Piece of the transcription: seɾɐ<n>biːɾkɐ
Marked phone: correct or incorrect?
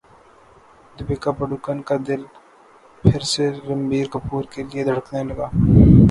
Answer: incorrect